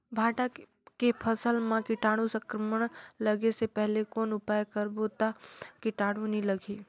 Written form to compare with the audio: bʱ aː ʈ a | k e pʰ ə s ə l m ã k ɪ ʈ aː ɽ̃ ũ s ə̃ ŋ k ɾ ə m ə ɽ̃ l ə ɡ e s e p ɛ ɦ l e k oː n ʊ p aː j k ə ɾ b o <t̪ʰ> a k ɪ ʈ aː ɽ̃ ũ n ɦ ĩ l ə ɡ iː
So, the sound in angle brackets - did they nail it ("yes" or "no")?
no